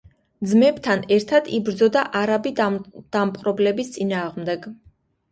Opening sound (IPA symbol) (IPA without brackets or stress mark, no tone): d̪